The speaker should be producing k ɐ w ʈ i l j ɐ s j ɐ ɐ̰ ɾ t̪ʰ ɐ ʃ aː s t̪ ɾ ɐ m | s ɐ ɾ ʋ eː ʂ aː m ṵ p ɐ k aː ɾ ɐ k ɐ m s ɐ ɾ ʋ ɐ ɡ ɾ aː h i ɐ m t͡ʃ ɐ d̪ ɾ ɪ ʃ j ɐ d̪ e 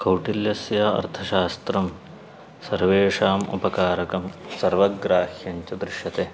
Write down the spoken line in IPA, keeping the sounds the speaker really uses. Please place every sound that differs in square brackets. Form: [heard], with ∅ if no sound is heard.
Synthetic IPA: k ɐ w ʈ i l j ɐ s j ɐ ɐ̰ ɾ t̪ʰ ɐ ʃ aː s t̪ ɾ ɐ m | s ɐ ɾ ʋ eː ʂ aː m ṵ p ɐ k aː ɾ ɐ k ɐ m s ɐ ɾ ʋ ɐ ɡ ɾ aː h [j] ɐ [ɲ] t͡ʃ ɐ d̪ ɾ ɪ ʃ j ɐ [t̪] e

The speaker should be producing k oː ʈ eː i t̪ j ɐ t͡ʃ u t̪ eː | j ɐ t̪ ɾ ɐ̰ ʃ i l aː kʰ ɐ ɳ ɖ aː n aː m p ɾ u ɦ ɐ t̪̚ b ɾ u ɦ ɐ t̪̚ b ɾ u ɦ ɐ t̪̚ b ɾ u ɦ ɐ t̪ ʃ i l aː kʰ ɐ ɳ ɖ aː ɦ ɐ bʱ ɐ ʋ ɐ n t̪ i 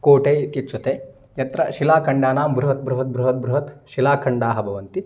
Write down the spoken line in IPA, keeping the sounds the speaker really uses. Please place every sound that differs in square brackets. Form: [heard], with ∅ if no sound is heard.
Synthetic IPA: k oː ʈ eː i t̪ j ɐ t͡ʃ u t̪ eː | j ɐ t̪ ɾ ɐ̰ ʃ i l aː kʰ ɐ ɳ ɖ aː n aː m [b] ɾ u ɦ ɐ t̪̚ b ɾ u ɦ ɐ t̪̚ b ɾ u ɦ ɐ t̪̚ b ɾ u ɦ ɐ t̪ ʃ i l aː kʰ ɐ ɳ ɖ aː ɦ ɐ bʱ ɐ ʋ ɐ n t̪ i

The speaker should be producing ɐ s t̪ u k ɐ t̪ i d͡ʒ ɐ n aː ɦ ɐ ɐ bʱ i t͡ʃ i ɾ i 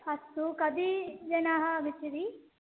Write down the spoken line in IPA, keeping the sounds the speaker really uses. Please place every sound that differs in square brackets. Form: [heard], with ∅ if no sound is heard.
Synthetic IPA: ɐ s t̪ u k ɐ [d̪] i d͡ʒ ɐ n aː ɦ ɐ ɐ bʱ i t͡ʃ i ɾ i

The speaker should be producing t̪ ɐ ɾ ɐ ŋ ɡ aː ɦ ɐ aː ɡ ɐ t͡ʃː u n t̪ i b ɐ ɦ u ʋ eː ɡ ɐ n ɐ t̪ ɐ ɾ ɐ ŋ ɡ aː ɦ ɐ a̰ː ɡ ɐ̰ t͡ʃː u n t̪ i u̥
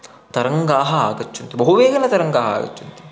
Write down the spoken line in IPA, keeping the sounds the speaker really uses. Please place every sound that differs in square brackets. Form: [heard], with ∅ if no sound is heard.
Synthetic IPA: t̪ ɐ ɾ ɐ ŋ ɡ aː ɦ ɐ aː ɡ ɐ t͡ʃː u n t̪ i b ɐ ɦ u ʋ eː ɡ ɐ n ɐ t̪ ɐ ɾ ɐ ŋ ɡ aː ɦ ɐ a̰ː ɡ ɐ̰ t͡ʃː u n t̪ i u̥

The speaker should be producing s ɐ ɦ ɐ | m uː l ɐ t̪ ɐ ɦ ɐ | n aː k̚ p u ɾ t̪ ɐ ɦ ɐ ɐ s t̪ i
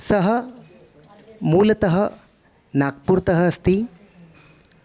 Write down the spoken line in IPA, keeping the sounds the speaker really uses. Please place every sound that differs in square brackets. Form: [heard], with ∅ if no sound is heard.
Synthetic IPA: s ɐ ɦ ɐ | m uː l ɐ t̪ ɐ ɦ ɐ | n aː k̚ p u ɾ t̪ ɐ ɦ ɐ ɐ s t̪ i

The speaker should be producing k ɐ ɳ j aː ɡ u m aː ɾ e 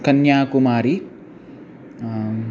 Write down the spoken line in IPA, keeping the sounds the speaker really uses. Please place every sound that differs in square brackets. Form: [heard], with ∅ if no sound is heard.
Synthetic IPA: k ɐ [n] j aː [k] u m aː ɾ [i]

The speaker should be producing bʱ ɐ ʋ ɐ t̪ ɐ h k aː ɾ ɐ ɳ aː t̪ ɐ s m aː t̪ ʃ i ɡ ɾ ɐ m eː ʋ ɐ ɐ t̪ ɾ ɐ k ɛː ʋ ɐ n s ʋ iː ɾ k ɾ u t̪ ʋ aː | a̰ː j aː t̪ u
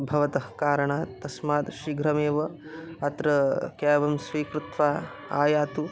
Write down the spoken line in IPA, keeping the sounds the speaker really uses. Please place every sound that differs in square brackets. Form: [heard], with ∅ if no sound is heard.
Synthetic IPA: bʱ ɐ ʋ ɐ t̪ ɐ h k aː ɾ ɐ ɳ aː t̪ ɐ s m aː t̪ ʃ i ɡ ɾ ɐ m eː ʋ ɐ ɐ t̪ ɾ ɐ k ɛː ʋ ɐ [m] s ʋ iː [∅] k ɾ u t̪ ʋ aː | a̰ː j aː t̪ u

